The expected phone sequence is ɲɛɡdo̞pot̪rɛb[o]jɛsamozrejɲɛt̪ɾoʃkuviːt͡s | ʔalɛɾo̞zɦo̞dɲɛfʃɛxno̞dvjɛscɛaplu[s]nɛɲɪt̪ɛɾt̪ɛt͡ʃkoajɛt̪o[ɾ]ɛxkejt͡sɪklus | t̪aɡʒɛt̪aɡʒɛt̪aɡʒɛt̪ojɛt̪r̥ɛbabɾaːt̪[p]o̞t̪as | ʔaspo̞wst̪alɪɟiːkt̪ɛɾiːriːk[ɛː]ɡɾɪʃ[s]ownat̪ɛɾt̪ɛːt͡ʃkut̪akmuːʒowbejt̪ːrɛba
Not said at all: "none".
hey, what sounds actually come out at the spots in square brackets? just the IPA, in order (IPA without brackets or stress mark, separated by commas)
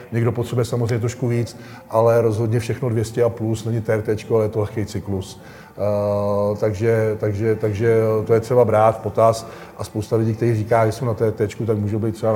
u, s, l, p, aː, s